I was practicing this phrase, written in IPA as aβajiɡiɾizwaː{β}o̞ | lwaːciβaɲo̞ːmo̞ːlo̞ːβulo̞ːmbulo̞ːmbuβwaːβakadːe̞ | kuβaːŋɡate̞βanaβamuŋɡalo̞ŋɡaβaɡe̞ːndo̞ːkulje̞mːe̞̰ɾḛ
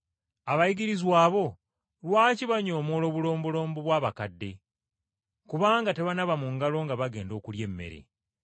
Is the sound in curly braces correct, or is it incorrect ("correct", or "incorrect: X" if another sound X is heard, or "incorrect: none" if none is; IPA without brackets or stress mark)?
correct